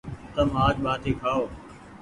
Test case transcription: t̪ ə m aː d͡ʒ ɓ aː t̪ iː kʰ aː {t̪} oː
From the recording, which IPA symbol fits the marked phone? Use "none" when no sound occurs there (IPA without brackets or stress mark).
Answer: none